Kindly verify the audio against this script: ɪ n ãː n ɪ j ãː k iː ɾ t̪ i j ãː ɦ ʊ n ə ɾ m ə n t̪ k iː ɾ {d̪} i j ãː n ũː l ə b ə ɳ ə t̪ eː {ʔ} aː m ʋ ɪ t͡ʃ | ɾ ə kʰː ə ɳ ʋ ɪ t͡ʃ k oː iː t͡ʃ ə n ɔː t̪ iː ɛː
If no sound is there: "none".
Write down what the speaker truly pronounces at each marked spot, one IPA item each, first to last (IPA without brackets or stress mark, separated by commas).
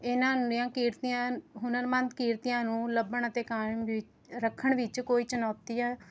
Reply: t̪, k